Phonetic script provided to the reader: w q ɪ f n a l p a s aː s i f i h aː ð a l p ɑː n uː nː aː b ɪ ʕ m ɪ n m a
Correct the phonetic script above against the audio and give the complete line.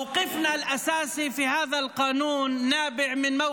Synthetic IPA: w q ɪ f n a l ʔ a s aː s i f i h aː ð a l q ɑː n uː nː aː b ɪ ʕ m ɪ n m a